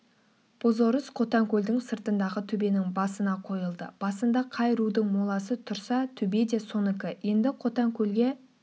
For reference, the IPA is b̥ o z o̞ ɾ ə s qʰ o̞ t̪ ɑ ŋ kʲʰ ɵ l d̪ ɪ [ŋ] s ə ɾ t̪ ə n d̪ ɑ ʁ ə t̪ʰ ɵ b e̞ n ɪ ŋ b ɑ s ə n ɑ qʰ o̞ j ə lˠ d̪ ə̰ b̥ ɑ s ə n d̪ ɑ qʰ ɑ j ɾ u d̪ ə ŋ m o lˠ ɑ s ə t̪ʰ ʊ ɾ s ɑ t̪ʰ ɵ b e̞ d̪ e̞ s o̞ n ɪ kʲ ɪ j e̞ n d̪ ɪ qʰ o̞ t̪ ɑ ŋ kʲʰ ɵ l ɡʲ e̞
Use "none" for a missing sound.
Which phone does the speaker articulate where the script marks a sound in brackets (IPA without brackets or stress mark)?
ŋ